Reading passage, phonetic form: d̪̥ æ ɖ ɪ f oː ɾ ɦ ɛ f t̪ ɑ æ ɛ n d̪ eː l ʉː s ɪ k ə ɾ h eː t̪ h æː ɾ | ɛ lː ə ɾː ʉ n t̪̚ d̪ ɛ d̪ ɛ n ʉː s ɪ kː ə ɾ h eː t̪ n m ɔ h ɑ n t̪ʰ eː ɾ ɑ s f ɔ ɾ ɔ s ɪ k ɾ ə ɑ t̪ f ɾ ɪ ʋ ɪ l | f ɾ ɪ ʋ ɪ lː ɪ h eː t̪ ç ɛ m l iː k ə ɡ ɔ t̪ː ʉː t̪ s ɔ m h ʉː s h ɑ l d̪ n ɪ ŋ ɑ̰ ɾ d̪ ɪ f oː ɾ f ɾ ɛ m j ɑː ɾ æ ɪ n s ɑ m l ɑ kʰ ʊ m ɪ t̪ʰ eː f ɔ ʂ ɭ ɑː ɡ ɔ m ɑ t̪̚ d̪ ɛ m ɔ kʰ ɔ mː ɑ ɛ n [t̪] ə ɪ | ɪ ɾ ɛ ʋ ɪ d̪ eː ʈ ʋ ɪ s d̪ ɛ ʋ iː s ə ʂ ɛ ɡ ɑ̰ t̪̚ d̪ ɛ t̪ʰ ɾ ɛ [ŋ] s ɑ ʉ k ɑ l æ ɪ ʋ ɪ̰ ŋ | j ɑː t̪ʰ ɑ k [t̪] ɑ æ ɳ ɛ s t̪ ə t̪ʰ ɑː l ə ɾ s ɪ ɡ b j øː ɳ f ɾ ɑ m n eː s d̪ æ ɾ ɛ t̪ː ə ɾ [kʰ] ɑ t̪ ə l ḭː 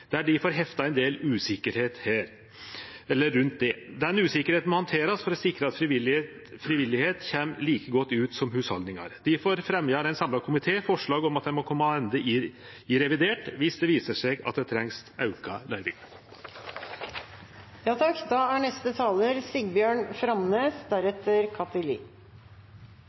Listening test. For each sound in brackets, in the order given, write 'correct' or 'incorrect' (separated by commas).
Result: incorrect, correct, incorrect, correct